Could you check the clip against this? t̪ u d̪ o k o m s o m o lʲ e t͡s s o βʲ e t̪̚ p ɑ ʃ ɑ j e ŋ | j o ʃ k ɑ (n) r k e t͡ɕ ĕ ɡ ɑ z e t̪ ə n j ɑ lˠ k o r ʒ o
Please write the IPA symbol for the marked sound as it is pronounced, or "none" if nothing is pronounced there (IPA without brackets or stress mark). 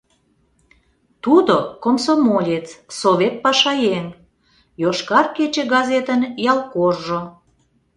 none